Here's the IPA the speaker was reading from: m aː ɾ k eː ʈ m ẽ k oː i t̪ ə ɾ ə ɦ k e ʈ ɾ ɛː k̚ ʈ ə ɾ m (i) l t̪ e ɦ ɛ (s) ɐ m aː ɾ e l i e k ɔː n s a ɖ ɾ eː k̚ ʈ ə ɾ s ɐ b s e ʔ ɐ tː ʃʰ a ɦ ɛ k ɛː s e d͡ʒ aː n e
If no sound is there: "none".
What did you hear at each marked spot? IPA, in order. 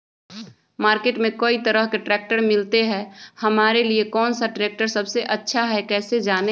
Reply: ɪ, h

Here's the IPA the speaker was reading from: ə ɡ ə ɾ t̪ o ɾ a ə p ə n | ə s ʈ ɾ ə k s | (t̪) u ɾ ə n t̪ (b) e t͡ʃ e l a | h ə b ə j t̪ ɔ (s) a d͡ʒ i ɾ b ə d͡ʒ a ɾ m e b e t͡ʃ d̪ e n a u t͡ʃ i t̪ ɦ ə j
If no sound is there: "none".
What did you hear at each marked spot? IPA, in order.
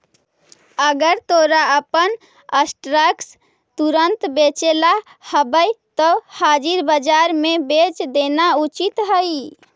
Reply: t̪, b, h

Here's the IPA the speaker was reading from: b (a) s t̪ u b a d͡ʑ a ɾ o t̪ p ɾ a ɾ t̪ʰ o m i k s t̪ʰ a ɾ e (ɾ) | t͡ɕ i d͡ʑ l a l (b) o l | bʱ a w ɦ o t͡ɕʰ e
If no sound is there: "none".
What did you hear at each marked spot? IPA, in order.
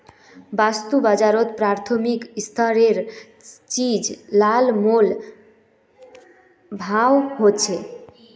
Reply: a, ɾ, m

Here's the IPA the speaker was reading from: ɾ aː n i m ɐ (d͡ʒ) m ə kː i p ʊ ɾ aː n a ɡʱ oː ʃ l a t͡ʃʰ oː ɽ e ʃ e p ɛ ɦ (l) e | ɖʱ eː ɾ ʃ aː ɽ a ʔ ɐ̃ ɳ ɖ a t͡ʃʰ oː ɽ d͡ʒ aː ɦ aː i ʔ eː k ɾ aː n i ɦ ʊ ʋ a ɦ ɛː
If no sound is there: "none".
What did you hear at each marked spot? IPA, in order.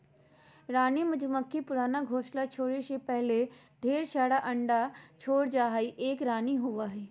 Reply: d͡ʒ, l

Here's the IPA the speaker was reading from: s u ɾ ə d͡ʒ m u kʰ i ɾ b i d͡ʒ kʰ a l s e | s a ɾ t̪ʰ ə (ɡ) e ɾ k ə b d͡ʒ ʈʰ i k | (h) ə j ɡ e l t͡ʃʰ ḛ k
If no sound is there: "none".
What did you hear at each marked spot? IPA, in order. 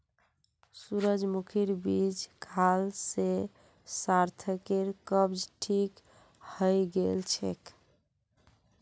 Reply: k, h

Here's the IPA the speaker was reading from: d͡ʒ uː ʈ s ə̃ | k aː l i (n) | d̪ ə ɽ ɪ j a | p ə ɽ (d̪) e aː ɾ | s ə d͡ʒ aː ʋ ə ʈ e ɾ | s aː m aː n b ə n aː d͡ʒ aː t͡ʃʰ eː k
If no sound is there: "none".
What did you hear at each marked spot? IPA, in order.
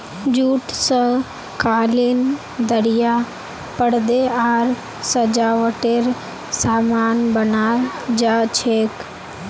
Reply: n, d̪

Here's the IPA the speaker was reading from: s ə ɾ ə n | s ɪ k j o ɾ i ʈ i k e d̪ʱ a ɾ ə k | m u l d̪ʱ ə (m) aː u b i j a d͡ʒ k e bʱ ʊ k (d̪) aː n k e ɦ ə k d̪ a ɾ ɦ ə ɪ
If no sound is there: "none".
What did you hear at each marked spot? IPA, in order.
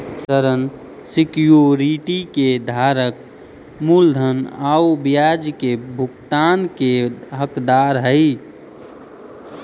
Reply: n, t̪

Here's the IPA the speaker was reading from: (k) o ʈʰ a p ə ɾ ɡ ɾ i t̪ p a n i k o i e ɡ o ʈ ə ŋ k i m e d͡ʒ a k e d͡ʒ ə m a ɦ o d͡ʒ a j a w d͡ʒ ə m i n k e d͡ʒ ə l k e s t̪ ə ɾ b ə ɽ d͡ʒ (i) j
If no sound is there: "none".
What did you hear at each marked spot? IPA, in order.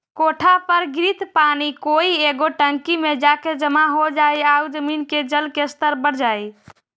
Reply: k, a

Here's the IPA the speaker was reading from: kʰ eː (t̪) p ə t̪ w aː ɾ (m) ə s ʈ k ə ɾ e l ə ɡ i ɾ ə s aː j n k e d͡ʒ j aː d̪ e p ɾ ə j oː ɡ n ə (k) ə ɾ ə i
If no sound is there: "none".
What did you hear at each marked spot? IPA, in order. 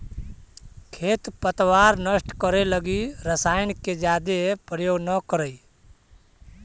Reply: t̪, n, k

